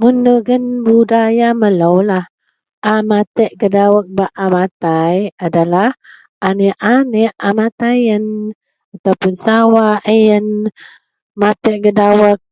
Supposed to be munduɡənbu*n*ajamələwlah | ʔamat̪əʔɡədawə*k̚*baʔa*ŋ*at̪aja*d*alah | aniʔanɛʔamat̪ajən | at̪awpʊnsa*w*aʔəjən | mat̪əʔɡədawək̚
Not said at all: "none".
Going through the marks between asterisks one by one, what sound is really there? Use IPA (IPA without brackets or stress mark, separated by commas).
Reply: d, k̚, m, d, w